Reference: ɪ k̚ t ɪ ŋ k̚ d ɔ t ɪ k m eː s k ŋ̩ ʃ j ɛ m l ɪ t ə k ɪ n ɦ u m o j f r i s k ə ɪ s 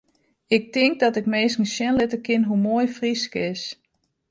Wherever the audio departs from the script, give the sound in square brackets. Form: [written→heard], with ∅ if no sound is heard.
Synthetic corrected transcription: ɪ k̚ t ɪ ŋ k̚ d ɔ t ɪ k m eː s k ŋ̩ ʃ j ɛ [m→n] l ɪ t ə k ɪ n ɦ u m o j f r i s k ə ɪ s